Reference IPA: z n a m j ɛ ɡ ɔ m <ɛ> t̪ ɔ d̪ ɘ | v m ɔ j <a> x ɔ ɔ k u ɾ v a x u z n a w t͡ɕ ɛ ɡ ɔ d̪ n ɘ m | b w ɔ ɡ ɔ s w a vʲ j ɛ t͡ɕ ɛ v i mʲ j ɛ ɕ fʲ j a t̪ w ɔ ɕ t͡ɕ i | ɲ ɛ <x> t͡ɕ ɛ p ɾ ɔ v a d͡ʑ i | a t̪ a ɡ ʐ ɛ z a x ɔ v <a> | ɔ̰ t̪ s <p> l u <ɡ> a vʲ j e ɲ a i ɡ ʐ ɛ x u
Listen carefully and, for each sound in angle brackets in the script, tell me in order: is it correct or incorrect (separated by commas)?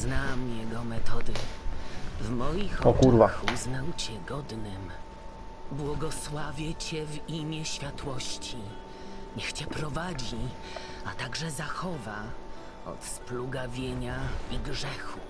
correct, incorrect, correct, correct, correct, correct